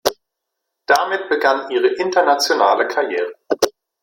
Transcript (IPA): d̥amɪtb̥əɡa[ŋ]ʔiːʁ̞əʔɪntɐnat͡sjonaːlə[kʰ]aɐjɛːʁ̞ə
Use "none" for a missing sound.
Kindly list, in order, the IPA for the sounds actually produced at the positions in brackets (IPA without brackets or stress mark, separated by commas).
n, kʰ